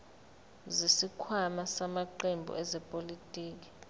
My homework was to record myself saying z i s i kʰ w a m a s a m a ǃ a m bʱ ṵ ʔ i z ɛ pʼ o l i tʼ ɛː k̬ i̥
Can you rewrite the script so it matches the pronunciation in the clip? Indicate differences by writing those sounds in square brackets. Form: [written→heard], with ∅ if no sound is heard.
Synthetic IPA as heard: z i s i kʰ w a m a s a m a ǃ [a→e] m bʱ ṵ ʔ [i→ɛ] z ɛ pʼ o l i tʼ [ɛː→iː] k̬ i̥